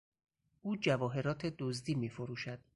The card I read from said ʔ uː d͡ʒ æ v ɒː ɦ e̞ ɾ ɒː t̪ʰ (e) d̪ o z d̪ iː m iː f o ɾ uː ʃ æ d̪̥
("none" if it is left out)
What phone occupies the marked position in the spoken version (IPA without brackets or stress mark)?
e